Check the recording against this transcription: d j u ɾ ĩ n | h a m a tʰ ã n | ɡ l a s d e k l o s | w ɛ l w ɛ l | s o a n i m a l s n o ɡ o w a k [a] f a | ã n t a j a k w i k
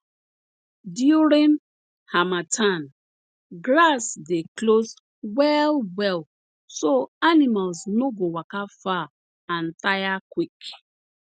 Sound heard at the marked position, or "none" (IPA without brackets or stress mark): a